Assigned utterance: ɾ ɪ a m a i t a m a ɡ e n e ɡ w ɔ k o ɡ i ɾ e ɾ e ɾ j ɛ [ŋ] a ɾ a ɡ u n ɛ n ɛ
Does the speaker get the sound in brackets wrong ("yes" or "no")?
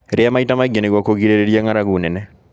no